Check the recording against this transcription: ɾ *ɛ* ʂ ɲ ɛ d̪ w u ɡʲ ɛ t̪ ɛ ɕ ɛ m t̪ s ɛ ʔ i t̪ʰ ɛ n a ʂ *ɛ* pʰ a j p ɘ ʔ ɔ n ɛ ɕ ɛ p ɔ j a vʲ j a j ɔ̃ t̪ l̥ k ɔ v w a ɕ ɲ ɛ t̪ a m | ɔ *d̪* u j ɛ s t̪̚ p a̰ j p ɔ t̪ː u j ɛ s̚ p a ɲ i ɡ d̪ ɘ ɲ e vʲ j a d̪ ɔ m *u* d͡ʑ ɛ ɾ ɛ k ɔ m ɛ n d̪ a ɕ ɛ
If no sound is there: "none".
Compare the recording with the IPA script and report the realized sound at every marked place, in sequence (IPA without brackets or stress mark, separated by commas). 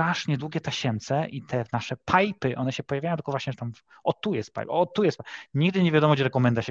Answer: a, ɛ, t̪, ɔ